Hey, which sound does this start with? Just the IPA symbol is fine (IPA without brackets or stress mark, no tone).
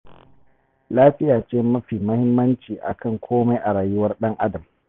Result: l